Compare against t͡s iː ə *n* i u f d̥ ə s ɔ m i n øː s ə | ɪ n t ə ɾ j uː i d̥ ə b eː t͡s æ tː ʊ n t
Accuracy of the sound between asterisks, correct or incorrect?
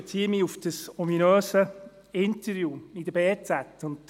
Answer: incorrect